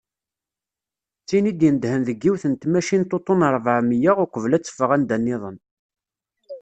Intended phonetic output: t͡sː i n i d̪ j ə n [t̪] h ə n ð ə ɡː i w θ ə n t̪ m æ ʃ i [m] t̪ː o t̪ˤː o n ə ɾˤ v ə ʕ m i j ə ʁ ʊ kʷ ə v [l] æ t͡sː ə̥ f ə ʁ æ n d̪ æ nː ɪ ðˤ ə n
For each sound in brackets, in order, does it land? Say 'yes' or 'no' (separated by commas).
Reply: no, no, yes